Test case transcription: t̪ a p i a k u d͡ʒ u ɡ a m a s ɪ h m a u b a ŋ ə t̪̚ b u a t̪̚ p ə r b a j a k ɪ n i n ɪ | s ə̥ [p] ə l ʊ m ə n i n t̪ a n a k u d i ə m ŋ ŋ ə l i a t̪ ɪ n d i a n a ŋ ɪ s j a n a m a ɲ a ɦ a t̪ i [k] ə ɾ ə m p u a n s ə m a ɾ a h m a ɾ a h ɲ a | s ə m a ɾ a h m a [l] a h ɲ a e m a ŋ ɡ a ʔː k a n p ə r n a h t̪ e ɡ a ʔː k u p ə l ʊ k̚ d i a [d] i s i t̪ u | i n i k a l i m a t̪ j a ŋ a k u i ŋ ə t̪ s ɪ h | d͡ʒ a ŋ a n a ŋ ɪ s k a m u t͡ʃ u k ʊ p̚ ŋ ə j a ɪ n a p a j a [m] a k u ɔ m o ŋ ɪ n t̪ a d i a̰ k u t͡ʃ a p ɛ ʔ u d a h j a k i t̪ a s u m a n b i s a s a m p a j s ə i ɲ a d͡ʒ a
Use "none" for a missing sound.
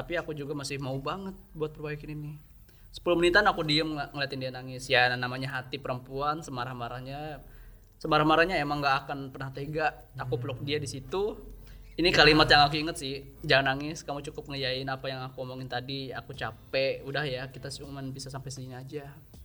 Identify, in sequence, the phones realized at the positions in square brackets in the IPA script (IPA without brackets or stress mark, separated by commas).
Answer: p, p, ɾ, d, ŋ